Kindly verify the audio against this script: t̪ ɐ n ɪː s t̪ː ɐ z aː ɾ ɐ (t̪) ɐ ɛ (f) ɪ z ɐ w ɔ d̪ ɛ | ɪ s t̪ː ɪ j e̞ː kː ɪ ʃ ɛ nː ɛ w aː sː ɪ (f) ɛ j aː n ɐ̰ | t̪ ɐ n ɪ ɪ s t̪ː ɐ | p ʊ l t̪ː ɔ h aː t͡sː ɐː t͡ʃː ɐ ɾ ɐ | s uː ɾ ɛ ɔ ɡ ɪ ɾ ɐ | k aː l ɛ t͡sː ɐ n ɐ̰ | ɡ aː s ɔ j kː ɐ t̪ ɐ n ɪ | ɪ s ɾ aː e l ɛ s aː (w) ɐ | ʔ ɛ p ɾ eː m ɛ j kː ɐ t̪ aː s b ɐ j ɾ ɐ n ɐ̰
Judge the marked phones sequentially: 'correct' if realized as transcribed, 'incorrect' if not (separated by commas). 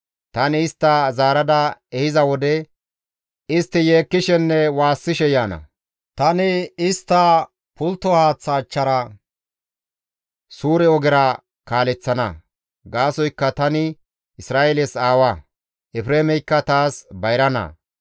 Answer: incorrect, incorrect, incorrect, correct